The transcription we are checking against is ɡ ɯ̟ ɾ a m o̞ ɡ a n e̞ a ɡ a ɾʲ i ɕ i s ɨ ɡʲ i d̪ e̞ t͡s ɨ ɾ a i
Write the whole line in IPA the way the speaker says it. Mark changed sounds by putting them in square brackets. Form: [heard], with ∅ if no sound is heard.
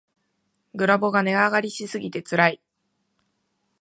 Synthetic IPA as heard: ɡ ɯ̟ ɾ a [b] o̞ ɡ a n e̞ a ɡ a ɾʲ i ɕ i s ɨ ɡʲ i [t̪] e̞ t͡s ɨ ɾ a i